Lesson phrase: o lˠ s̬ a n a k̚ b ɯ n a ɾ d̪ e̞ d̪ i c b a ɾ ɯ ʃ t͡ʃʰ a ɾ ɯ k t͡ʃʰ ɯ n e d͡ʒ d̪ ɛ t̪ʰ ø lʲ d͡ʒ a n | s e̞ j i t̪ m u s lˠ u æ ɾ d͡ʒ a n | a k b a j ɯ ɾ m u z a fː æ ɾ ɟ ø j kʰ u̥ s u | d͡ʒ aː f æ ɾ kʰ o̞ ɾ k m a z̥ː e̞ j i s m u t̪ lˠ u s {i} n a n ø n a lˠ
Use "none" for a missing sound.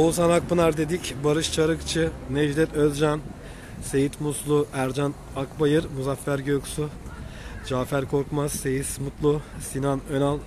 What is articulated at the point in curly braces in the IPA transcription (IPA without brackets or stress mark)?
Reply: i